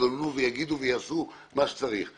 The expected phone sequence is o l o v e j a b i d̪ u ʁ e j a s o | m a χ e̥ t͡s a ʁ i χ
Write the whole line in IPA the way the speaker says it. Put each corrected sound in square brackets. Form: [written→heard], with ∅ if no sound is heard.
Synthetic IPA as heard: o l [o→u] v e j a [b→ɡ] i d̪ u [ʁ→v] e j a s [o→u] | m a [χ→ʃ] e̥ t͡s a ʁ i χ